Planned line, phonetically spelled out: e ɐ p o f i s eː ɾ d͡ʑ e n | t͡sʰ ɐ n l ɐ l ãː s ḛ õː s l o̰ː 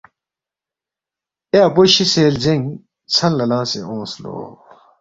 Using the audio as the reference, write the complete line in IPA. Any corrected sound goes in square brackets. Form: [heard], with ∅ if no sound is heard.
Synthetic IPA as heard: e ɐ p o [ɕ] i s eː [l] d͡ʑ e [ŋ] | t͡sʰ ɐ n l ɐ l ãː s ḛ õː s l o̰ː